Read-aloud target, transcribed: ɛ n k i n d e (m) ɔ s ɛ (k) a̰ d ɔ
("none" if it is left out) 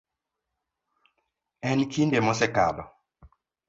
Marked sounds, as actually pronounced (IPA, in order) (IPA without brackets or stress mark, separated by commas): m, k